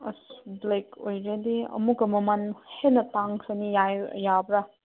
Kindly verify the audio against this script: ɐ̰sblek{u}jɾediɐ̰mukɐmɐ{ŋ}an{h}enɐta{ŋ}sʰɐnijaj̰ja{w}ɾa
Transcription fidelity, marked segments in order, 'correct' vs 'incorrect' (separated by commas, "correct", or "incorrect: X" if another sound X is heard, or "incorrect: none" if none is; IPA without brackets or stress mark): incorrect: o, incorrect: m, correct, correct, incorrect: b